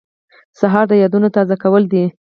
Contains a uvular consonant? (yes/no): no